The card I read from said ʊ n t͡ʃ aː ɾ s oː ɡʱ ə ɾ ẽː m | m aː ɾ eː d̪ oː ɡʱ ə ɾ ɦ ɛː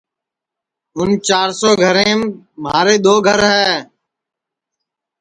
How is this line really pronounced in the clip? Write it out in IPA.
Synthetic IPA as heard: ʊ n t͡ʃ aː ɾ s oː ɡʱ ə ɾ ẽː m | m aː ɾ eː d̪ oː ɡʱ ə ɾ ɦ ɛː